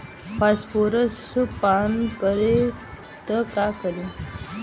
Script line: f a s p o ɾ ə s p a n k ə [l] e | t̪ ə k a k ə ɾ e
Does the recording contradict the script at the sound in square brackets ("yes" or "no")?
yes